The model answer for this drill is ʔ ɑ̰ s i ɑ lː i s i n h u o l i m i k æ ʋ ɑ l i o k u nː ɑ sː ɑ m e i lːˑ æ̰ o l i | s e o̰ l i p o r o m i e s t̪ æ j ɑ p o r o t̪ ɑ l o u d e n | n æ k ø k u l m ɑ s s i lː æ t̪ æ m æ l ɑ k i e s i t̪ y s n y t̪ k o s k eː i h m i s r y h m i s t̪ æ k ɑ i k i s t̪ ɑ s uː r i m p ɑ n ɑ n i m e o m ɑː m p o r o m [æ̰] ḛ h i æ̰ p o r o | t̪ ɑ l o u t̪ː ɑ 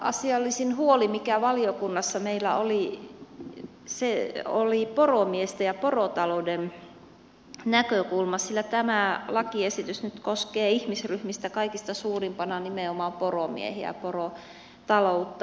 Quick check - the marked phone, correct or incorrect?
incorrect